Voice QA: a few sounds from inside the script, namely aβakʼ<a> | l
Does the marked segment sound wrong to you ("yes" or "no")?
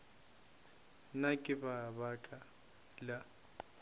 no